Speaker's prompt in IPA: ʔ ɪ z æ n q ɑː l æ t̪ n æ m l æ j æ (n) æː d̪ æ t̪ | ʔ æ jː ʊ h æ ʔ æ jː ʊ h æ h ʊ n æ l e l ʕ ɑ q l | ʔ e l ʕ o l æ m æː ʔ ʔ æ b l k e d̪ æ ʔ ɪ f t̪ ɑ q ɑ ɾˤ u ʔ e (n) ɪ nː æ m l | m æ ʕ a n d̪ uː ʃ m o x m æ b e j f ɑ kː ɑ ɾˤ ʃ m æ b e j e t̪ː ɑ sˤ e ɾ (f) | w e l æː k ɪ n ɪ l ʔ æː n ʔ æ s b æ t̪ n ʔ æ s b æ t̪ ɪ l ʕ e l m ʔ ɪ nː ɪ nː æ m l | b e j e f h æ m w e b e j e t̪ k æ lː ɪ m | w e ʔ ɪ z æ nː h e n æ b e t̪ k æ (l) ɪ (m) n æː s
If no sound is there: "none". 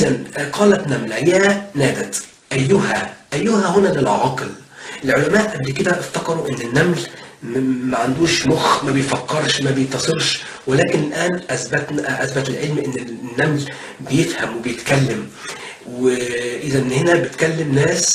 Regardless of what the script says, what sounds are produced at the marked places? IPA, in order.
n, nː, ʃ, lː, m

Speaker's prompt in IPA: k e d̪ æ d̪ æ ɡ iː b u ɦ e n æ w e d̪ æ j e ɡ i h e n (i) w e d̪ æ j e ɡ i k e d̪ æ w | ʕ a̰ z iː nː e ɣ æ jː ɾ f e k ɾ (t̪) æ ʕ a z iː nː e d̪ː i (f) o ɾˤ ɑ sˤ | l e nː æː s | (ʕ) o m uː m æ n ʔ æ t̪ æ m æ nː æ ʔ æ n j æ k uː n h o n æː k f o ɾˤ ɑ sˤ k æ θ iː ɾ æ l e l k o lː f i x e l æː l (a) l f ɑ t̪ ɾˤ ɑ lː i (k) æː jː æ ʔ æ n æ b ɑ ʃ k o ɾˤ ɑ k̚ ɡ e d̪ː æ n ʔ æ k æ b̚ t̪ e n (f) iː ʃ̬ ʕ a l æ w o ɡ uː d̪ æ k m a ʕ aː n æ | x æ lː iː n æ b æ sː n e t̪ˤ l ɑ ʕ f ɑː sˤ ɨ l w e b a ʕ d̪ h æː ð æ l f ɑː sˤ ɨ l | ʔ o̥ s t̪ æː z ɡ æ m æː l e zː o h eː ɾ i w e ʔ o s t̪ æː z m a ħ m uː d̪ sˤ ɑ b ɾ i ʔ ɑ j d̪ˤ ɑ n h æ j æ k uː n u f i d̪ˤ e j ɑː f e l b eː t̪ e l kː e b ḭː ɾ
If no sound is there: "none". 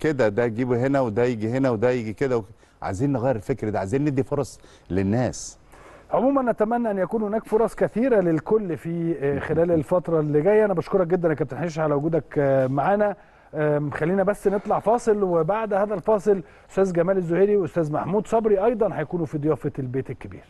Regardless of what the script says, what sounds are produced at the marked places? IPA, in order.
æ, d̪, f, ʕ, e, ɡ, ħ

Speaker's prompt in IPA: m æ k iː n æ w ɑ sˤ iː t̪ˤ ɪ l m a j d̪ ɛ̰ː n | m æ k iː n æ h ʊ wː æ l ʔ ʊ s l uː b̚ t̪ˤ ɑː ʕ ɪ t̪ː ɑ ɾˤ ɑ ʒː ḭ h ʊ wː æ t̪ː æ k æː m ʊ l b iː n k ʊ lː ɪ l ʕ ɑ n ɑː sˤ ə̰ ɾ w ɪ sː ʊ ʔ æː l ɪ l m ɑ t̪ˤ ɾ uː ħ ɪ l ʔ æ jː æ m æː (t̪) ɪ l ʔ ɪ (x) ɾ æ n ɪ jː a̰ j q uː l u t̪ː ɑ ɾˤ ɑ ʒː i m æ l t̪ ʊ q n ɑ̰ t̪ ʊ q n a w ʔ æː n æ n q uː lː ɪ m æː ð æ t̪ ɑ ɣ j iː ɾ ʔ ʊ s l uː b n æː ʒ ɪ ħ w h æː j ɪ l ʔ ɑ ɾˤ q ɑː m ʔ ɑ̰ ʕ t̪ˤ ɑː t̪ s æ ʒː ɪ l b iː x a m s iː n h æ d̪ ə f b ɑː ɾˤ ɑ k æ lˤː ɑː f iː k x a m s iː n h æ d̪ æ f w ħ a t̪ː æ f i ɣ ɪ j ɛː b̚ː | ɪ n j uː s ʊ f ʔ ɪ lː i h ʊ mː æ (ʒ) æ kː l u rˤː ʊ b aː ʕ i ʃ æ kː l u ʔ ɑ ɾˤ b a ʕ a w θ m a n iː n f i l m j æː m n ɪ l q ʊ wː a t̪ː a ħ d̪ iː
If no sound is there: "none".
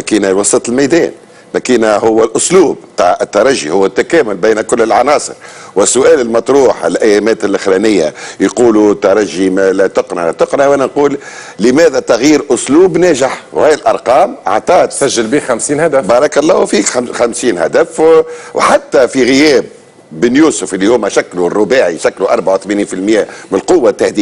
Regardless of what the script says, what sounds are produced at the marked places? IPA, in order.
t̪, x, ʃ

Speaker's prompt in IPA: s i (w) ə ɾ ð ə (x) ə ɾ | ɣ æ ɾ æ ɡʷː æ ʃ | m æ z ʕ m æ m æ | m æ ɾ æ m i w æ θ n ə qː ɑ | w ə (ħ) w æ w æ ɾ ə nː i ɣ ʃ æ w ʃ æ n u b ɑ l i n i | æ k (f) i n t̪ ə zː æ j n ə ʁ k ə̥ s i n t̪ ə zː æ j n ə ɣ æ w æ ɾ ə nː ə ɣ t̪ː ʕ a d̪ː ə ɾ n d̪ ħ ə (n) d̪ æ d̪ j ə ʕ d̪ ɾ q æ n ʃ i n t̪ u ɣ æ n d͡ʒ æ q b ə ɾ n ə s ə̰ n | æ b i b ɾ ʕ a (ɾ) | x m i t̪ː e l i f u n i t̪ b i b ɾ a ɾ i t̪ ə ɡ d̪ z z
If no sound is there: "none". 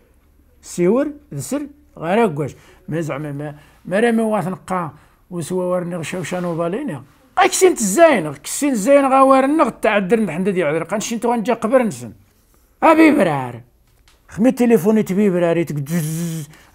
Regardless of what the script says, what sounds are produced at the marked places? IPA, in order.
w, s, s, s, n, ɾ

